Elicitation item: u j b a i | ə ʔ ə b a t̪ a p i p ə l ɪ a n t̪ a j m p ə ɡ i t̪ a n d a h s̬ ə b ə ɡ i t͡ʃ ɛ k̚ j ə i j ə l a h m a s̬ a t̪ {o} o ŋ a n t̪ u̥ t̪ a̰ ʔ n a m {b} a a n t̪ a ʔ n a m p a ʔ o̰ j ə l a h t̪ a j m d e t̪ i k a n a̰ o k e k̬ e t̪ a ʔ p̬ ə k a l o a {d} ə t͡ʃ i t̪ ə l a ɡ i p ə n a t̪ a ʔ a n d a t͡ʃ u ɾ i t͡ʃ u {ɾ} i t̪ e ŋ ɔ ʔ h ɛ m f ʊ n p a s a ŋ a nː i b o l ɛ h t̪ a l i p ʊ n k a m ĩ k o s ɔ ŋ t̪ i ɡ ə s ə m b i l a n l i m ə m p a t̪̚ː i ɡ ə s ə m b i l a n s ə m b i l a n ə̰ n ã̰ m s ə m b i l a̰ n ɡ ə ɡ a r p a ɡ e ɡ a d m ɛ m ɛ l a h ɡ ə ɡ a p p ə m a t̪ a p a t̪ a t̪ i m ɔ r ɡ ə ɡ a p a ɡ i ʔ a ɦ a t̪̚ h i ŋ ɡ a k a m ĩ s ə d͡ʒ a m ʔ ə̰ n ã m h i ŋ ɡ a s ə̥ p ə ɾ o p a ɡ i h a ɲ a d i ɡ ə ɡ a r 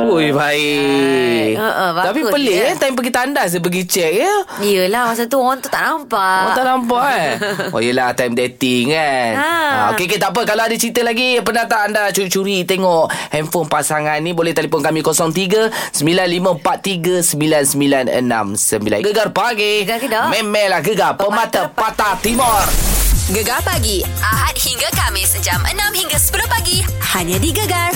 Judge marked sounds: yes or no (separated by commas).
no, no, yes, yes